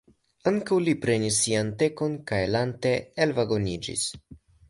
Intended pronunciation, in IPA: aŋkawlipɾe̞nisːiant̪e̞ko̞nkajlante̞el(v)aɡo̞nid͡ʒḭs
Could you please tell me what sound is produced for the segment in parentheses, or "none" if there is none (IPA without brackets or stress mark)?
v